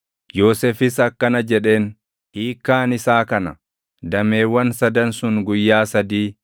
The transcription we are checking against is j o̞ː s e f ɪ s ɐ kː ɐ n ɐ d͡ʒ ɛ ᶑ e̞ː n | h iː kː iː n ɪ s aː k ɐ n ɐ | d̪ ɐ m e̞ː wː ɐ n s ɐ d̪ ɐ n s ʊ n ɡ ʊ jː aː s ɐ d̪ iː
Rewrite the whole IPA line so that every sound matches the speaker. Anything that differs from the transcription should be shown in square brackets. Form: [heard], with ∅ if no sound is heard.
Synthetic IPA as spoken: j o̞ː s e f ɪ s ɐ kː ɐ n ɐ d͡ʒ ɛ ᶑ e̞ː n | h iː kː [aː] n ɪ s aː k ɐ n ɐ | d̪ ɐ m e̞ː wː ɐ n s ɐ d̪ ɐ n s ʊ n ɡ ʊ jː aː s ɐ d̪ iː